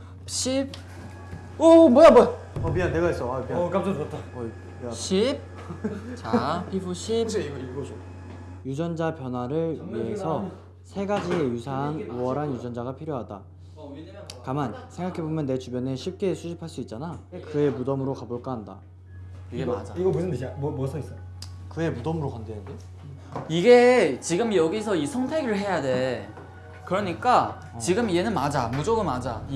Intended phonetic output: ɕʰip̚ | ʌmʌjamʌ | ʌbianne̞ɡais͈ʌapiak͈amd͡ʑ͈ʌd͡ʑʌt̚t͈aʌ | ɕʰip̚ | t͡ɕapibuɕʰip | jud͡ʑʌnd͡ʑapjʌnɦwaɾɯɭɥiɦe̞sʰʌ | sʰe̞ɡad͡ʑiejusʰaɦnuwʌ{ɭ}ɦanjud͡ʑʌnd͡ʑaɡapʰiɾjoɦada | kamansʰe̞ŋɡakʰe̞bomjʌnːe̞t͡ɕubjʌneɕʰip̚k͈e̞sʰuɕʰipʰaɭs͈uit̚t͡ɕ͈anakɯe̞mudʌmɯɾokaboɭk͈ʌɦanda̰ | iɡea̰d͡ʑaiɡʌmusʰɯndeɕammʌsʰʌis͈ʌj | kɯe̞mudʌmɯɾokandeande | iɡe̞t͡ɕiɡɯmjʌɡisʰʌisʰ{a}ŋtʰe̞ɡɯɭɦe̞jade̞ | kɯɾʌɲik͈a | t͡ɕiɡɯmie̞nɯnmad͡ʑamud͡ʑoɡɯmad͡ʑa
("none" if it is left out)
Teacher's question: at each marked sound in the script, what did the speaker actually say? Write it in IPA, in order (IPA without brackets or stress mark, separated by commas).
ɾ, ʌ